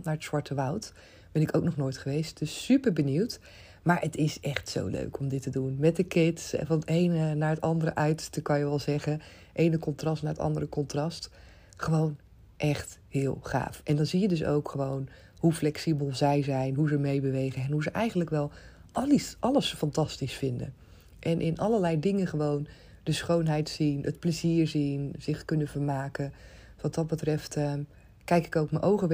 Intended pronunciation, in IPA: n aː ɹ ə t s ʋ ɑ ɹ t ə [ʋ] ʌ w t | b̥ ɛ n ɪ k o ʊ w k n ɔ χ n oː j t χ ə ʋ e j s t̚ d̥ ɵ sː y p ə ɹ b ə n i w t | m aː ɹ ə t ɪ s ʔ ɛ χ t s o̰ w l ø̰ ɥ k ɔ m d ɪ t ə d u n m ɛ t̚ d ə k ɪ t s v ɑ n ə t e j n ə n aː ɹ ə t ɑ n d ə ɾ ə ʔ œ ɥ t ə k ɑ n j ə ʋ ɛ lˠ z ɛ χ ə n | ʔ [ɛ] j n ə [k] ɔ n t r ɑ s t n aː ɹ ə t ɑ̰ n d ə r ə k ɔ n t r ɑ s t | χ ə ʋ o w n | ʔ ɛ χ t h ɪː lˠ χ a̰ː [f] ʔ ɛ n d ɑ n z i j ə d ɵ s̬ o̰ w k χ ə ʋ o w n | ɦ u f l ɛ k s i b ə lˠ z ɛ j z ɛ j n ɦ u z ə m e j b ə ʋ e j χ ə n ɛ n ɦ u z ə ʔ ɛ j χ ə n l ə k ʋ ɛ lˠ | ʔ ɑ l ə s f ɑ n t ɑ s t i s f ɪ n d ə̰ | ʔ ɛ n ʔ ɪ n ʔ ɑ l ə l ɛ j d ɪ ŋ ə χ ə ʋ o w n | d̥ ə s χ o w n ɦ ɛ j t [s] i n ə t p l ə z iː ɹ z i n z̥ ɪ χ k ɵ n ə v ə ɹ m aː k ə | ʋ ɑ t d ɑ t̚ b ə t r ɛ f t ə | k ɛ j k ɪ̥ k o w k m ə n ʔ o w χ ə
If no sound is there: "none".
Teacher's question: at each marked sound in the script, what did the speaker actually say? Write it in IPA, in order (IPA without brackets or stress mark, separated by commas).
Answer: ʋ, e, k, f, s